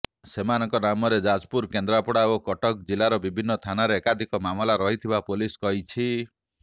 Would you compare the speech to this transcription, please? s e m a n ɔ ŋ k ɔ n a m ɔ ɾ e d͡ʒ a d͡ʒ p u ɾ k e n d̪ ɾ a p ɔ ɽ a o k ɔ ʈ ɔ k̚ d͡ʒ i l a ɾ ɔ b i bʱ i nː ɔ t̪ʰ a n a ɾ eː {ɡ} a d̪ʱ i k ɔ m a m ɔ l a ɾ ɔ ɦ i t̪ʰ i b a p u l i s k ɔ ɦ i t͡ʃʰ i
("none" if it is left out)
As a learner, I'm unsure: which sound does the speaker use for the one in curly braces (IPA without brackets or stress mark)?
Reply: k